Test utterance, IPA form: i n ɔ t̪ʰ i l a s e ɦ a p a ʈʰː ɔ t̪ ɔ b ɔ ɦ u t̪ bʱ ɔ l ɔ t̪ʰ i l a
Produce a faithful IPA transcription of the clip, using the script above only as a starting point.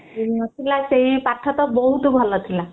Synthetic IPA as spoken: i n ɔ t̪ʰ i l a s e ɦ i p a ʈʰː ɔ t̪ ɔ b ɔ ɦ u t̪ bʱ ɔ l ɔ t̪ʰ i l a